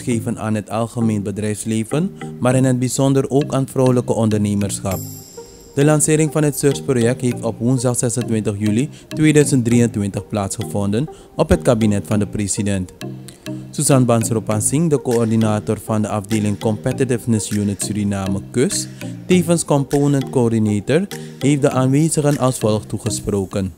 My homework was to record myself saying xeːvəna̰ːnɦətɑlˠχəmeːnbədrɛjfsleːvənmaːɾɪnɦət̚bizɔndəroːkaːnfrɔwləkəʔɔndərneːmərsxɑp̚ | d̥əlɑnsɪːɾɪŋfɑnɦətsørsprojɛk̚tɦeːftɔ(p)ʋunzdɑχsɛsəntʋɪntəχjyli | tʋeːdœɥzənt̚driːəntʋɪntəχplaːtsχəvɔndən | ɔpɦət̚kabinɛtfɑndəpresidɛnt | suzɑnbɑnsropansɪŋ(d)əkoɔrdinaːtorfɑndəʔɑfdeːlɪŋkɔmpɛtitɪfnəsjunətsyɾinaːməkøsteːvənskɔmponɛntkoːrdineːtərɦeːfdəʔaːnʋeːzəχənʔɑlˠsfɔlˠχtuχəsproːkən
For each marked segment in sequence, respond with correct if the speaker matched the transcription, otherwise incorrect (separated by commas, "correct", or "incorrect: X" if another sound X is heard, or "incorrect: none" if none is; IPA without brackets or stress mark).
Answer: correct, correct